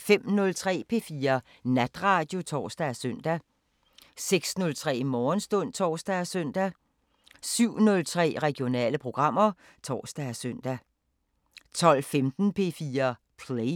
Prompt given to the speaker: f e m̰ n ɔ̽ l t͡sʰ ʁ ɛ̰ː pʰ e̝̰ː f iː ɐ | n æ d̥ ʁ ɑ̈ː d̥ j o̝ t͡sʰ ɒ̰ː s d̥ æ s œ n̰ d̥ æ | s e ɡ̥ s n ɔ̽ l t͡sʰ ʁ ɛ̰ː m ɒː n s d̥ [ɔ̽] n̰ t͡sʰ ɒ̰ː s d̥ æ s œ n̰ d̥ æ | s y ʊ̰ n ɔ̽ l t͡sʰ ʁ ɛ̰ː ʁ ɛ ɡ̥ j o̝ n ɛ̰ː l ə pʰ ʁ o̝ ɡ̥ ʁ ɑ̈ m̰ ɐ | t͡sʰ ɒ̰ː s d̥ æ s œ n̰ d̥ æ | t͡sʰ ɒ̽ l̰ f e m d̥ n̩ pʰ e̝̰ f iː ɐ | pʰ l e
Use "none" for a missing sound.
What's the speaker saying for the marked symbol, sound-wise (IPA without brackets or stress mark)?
ɔ̽